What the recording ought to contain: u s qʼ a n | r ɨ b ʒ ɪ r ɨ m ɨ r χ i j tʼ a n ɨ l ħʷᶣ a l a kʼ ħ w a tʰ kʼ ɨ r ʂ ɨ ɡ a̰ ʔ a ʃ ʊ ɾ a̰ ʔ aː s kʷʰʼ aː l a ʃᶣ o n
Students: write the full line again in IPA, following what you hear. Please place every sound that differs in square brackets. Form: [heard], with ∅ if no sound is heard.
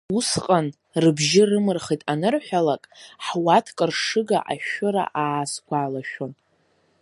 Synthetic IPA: u s qʼ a n | r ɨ b ʒ ɪ r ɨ m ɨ r χ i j tʼ a n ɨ [r] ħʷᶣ a l a kʼ ħ w a tʰ kʼ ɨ r ʂ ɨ ɡ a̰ ʔ a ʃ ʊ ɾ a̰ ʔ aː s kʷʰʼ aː l a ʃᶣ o n